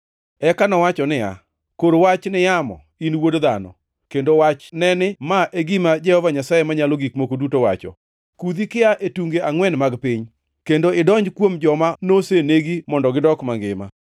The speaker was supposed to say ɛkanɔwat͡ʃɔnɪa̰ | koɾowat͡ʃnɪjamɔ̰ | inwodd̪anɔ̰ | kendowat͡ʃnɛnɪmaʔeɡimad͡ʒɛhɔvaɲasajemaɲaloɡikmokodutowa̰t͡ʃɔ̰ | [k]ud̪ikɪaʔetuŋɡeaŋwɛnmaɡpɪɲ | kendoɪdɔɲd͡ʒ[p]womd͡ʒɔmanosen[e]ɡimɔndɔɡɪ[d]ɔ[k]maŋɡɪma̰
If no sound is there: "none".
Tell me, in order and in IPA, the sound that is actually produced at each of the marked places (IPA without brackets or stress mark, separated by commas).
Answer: k, k, e, d, k